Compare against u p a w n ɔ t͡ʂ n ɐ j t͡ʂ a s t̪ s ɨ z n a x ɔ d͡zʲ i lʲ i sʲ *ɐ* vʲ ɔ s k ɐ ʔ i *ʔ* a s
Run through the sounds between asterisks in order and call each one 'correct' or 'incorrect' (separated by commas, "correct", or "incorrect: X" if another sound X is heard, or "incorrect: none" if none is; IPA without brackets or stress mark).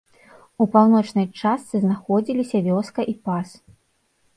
correct, incorrect: p